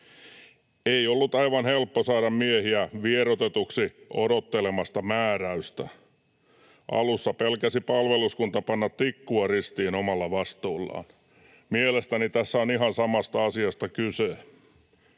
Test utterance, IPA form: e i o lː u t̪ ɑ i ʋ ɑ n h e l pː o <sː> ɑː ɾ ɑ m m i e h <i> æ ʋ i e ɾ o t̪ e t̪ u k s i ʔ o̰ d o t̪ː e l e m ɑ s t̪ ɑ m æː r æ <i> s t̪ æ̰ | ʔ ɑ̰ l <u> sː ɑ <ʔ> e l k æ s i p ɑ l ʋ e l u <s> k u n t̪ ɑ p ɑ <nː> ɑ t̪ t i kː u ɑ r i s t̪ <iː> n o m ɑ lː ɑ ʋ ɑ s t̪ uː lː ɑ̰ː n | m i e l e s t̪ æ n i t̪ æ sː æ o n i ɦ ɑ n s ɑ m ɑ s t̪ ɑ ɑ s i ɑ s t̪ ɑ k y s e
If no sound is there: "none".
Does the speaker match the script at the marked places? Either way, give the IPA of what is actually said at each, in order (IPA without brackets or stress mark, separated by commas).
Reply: s, i, y, u, p, s, nː, iː